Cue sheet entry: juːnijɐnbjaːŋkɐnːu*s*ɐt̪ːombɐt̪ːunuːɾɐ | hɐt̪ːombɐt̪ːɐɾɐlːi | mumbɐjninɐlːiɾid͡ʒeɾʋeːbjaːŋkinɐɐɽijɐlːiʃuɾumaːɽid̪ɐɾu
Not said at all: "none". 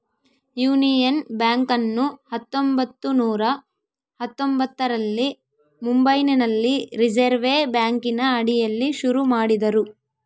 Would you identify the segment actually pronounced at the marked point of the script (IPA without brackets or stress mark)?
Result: h